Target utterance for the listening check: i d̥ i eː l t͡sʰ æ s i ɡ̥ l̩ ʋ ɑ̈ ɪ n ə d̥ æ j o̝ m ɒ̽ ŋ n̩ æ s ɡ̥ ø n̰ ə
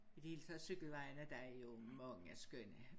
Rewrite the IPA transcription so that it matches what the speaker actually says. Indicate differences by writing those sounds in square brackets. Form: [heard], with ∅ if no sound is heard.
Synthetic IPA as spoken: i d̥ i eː l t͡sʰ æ s [y] ɡ̥ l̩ ʋ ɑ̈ ɪ n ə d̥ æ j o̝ m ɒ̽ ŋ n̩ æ s ɡ̥ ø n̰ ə